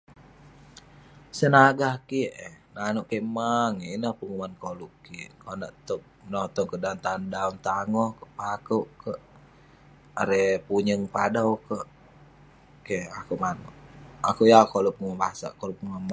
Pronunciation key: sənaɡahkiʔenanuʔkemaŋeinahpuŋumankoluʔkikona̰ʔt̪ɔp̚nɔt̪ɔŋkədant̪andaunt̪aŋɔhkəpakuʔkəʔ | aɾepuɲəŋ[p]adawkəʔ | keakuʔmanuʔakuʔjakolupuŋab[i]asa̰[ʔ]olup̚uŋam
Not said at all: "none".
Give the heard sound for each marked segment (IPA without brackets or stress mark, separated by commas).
p, a, k